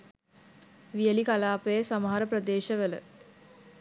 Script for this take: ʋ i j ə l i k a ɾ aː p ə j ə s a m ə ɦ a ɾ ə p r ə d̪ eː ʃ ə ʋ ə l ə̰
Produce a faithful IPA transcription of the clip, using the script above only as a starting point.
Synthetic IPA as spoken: ʋ i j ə l i k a l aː p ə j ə s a m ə ɦ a ɾ ə p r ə d̪ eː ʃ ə ʋ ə l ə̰